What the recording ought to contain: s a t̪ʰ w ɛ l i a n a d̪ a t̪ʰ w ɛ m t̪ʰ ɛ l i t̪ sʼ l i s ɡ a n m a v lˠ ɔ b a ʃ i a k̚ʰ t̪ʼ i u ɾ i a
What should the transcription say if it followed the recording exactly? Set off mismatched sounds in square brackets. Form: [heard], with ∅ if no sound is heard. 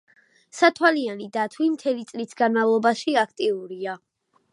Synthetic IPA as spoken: s a t̪ʰ w [a] l i a n [i] d̪ a t̪ʰ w [i] m t̪ʰ ɛ l i t̪ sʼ l i s ɡ a n m a v lˠ ɔ b a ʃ i a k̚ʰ t̪ʼ i u ɾ i a